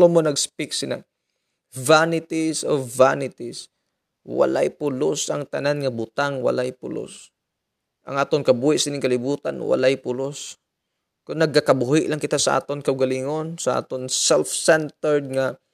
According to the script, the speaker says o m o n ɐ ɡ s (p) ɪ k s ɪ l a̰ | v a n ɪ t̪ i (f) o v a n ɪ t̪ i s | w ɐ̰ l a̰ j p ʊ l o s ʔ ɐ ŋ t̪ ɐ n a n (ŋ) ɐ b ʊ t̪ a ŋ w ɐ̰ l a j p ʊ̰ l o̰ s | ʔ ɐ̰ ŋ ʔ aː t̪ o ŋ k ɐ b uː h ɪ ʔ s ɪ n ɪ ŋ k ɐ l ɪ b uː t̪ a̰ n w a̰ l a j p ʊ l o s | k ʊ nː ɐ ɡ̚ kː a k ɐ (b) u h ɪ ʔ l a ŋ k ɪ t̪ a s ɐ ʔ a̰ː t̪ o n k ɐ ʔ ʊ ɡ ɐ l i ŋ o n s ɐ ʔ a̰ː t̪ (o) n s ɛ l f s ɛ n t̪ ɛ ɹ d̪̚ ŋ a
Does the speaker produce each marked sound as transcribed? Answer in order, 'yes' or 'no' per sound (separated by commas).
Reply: yes, no, yes, yes, yes